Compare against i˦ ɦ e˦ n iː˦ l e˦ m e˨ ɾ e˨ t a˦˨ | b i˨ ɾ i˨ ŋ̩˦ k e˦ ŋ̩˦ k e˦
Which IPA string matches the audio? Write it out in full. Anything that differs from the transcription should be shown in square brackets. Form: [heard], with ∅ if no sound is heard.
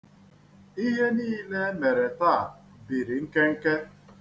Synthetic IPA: i˦ ɦ e˦ n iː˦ l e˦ m e˨ ɾ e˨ t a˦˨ | b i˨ ɾ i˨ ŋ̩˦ k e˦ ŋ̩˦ k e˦